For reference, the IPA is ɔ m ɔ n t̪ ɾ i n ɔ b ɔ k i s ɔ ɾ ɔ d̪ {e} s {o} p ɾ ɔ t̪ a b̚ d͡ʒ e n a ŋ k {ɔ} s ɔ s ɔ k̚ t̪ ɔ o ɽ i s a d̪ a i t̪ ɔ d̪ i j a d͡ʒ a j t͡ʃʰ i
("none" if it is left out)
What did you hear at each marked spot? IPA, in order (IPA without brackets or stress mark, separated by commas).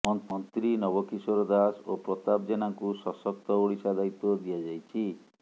a, o, u